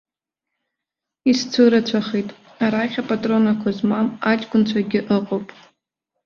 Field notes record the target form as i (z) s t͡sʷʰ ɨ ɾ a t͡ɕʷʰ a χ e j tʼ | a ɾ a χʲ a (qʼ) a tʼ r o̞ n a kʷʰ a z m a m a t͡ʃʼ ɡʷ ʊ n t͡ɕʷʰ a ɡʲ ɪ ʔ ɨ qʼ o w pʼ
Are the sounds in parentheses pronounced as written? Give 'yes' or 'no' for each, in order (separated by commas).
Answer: no, no